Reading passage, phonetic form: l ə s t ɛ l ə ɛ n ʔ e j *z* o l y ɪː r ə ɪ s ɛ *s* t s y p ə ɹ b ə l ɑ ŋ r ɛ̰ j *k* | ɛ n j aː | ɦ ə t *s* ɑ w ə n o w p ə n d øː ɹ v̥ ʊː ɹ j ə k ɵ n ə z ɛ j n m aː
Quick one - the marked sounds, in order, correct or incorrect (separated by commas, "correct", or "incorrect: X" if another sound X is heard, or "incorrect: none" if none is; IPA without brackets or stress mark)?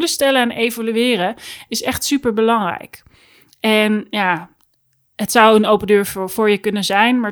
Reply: incorrect: v, incorrect: χ, correct, correct